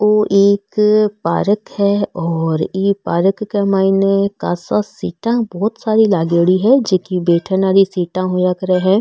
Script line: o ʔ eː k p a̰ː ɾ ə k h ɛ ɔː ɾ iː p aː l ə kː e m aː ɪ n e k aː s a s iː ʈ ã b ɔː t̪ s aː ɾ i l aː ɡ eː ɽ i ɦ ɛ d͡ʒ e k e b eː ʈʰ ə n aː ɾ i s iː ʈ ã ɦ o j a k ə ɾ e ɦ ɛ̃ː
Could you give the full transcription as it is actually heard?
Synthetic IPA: o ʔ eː k p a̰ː ɾ ə k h ɛ ɔː ɾ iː p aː ɾ ə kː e m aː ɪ n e k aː s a s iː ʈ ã b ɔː t̪ s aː ɾ i l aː ɡ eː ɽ i ɦ ɛ d͡ʒ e k i b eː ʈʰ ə n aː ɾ i s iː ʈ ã ɦ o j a k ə ɾ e ɦ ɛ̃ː